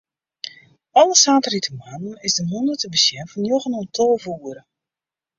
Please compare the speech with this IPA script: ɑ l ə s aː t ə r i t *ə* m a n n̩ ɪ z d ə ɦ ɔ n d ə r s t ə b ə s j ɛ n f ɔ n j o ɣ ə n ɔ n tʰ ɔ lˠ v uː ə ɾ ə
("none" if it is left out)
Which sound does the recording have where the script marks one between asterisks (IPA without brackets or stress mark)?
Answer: ə